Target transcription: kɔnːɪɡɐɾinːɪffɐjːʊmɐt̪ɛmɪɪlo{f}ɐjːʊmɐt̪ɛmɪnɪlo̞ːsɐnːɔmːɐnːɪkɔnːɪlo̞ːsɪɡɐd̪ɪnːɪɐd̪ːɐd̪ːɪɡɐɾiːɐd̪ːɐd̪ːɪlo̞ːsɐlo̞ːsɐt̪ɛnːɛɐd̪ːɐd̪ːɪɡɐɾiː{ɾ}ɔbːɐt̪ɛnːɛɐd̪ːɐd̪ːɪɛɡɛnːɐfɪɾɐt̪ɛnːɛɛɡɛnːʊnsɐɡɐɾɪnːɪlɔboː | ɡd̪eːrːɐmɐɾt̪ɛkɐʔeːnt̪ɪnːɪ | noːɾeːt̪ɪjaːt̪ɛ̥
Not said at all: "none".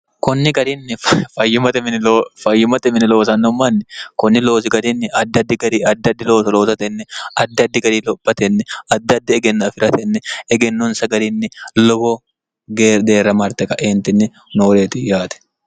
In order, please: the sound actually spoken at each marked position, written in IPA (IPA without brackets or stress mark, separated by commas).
f, l